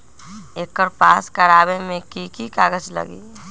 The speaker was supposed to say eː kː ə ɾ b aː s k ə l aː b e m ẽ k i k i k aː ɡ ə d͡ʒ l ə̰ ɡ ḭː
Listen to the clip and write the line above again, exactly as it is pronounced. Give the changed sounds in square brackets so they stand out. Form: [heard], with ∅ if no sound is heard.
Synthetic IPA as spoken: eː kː ə ɾ [p] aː s k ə [ɾ] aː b e m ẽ k i k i k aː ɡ ə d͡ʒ l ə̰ ɡ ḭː